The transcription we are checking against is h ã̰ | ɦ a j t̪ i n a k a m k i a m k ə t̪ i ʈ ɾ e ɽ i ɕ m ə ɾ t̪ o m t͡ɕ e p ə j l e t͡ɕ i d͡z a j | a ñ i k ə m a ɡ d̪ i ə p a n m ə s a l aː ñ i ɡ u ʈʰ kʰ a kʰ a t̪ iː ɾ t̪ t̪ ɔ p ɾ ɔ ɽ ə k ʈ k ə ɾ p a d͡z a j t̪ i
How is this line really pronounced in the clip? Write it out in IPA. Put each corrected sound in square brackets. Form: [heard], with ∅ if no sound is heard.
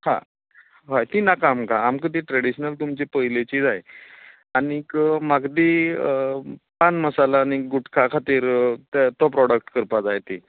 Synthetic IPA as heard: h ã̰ | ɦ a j t̪ i n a k a m k [a] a m k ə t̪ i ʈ ɾ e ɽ i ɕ [n] ə [l] t̪ [u] m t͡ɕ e p ə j l e t͡ɕ i d͡z a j | a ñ i k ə m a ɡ d̪ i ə p a n m ə s a l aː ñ i ɡ u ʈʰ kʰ a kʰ a t̪ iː ɾ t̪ t̪ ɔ p ɾ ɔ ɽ ə k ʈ k ə ɾ p a d͡z a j t̪ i

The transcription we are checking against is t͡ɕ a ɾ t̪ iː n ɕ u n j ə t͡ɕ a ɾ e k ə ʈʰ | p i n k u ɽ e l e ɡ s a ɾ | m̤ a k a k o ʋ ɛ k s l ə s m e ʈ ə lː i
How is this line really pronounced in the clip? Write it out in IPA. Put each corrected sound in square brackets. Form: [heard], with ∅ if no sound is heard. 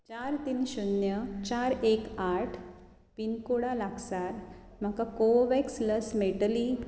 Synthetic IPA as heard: t͡ɕ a ɾ t̪ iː n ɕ u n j ə t͡ɕ a ɾ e k [a] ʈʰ | p i n k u ɽ [a] l [a] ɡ s a ɾ | m̤ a k a k o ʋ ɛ k s l ə s m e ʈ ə [l] i

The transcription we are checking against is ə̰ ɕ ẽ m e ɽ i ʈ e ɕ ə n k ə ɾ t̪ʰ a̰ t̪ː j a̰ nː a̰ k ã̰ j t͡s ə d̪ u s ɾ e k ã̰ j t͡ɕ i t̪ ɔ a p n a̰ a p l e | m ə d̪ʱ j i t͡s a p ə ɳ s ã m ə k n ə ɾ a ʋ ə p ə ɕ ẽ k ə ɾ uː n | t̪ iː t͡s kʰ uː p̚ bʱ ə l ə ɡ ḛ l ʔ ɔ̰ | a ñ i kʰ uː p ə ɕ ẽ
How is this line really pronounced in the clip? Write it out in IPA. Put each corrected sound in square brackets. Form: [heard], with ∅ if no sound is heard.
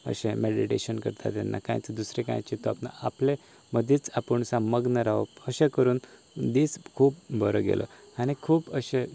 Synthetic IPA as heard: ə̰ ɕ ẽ m e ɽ i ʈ e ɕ ə n k ə ɾ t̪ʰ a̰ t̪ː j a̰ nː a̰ k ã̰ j t͡s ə d̪ u s ɾ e k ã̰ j t͡ɕ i t̪ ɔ a p n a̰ a p l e | m ə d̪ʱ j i t͡s a p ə ɳ s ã m ə [ɡ] n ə ɾ a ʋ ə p ə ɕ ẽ k ə ɾ uː n | [d̪] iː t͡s kʰ uː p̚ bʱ ə [ɾ] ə ɡ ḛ l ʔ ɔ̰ | a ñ i kʰ uː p ə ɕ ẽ

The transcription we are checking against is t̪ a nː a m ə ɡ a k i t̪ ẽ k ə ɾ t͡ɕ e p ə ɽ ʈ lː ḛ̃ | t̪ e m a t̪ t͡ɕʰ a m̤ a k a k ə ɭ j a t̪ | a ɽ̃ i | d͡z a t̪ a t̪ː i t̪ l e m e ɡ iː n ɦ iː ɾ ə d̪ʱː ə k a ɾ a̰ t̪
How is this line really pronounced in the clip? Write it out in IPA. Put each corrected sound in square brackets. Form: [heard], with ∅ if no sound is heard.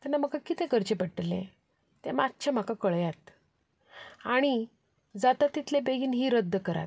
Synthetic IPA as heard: t̪ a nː a m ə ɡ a k i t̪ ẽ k ə ɾ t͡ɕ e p ə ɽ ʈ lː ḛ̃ | t̪ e m a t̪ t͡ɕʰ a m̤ a k a k ə ɭ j a t̪ | a ɽ̃ i | d͡z a t̪ a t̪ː i t̪ l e [b] e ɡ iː n ɦ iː ɾ ə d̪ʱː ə k [ə] ɾ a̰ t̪

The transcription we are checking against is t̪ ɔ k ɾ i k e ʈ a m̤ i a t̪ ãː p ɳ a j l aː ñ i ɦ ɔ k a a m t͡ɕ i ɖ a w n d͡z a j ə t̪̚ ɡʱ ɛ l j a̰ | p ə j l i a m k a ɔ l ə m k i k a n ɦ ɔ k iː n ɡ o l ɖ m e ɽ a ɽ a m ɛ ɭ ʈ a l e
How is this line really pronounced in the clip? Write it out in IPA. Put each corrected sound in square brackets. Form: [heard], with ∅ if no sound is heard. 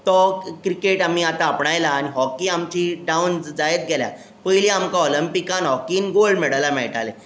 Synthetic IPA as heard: t̪ ɔ k ɾ i k e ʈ a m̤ i a t̪ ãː p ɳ a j l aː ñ i ɦ ɔ k [i] a m t͡ɕ i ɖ a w n d͡z a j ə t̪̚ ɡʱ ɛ l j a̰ | p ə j l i a m k a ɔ l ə m [p] i k a n ɦ ɔ k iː n ɡ o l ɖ m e ɽ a [l] a m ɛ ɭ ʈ a l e

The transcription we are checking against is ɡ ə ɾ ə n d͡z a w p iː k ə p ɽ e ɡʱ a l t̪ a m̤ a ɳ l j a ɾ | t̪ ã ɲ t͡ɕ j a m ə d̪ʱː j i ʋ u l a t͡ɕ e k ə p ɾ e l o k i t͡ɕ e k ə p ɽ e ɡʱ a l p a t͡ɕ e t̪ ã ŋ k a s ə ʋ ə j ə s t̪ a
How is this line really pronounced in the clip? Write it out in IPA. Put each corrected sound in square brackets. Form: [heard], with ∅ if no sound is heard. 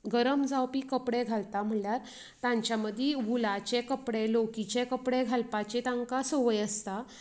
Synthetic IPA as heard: ɡ ə ɾ ə [m] d͡z a w p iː k ə p ɽ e ɡʱ a l t̪ a m̤ [ə] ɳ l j a ɾ | t̪ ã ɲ t͡ɕ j a m ə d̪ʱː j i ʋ u l a t͡ɕ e k ə p [ɽ] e l o k i t͡ɕ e k ə p ɽ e ɡʱ a l p a t͡ɕ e t̪ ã ŋ k a s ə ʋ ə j ə s t̪ a

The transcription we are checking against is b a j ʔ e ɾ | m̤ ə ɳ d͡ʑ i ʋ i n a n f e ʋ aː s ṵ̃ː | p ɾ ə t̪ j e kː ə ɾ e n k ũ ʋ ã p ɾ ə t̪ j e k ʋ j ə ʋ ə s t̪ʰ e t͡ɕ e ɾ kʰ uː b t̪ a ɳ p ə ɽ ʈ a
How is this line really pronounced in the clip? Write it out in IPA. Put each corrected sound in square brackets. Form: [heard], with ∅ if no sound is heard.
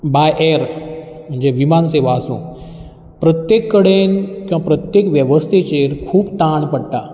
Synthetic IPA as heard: b a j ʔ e ɾ | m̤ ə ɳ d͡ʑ [e] ʋ i [m] a n [s] e ʋ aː s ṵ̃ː | p ɾ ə t̪ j e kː ə [ɽ] e n k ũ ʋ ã p ɾ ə t̪ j e k ʋ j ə ʋ ə s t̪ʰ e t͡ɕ e ɾ kʰ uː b t̪ a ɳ p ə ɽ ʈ a

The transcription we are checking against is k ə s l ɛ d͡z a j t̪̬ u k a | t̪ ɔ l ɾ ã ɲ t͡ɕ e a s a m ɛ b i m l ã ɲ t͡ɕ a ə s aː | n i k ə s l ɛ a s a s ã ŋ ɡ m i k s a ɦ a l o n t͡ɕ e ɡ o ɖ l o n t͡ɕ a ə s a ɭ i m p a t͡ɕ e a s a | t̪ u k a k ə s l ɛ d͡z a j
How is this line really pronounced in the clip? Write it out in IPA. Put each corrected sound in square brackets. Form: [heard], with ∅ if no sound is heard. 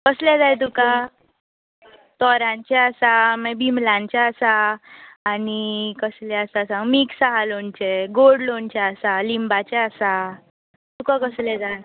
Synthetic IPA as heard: k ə s l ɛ d͡z a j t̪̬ u k a | t̪ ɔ [∅] ɾ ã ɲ t͡ɕ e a s a m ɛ b i m l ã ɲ t͡ɕ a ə s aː | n i k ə s l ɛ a s a s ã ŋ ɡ m i k s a ɦ a l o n t͡ɕ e ɡ o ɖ l o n t͡ɕ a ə s a [l] i m [b] a t͡ɕ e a s a | t̪ u k a k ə s l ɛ d͡z a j

